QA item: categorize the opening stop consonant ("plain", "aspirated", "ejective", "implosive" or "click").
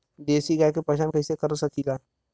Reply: plain